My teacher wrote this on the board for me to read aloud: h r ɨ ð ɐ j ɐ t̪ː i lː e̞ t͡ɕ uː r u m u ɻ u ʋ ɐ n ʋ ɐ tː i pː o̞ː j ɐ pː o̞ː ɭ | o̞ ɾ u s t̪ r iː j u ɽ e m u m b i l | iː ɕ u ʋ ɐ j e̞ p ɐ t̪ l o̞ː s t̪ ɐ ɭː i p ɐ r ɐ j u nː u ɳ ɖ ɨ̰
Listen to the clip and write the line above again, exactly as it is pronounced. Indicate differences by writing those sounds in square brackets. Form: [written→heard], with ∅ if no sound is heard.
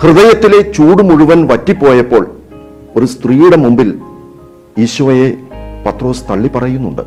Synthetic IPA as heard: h r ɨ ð ɐ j ɐ t̪ː i [lː→l] e̞ t͡ɕ uː [r→ɽ] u m u ɻ u ʋ ɐ n ʋ ɐ tː i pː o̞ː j ɐ pː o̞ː ɭ | o̞ ɾ u s t̪ r iː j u ɽ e m u m b i l | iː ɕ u ʋ ɐ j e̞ p ɐ t̪ [l→r] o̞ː s t̪ ɐ ɭː i p ɐ r ɐ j u nː u ɳ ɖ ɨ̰